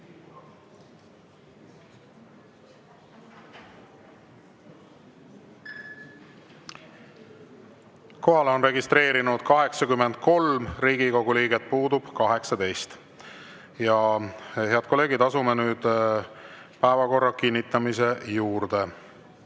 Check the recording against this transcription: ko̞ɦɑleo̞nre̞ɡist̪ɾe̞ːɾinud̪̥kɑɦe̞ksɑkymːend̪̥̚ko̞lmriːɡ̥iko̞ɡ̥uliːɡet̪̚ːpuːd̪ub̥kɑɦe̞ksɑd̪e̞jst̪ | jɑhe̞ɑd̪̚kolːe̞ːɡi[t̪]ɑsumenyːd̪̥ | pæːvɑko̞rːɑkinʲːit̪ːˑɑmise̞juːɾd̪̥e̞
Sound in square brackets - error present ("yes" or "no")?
yes